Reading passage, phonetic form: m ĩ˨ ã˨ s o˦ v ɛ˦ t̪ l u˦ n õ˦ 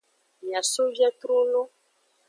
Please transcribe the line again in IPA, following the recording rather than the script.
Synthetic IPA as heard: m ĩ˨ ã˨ s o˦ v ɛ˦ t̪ ɾ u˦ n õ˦